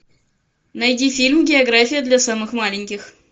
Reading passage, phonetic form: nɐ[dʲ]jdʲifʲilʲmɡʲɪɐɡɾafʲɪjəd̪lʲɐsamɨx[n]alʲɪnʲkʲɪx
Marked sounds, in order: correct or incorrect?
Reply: incorrect: none, incorrect: m

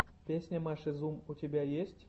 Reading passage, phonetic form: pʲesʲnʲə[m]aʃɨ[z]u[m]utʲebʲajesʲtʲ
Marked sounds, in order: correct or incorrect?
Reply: correct, correct, correct

